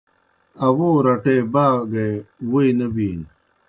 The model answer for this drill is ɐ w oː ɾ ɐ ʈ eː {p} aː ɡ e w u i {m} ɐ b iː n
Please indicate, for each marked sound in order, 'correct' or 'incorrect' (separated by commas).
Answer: incorrect, incorrect